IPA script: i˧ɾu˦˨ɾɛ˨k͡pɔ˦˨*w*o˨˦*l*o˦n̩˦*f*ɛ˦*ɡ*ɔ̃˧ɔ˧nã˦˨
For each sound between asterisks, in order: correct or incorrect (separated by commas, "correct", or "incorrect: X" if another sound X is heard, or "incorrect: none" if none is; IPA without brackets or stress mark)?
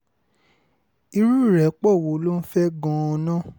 correct, correct, correct, correct